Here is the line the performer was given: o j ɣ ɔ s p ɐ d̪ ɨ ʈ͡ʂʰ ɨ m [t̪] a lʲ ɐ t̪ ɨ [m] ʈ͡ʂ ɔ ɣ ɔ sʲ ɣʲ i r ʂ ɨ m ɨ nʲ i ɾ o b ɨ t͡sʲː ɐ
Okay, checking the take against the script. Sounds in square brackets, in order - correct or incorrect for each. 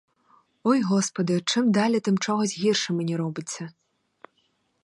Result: incorrect, correct

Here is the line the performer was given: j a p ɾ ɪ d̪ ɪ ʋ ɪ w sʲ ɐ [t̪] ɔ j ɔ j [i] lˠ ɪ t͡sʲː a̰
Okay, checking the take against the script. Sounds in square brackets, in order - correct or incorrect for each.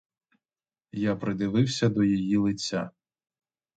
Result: incorrect, correct

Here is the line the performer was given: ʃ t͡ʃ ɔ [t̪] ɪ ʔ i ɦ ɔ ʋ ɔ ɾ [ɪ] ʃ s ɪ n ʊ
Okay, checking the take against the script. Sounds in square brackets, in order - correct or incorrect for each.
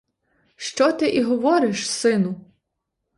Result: correct, correct

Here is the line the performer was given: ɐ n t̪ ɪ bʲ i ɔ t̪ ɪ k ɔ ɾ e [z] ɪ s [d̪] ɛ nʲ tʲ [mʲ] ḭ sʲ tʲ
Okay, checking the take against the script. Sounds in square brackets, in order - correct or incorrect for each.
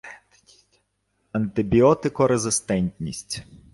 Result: correct, incorrect, incorrect

